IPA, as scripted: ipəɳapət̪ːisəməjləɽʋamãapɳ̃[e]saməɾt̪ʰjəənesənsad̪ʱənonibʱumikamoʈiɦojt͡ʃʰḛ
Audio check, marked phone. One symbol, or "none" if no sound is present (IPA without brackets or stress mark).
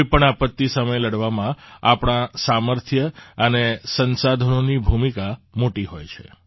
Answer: a